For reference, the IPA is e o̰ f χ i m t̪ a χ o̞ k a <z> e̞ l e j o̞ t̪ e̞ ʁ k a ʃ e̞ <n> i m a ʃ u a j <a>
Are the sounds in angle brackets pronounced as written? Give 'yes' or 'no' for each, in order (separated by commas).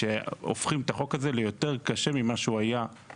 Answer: yes, no, yes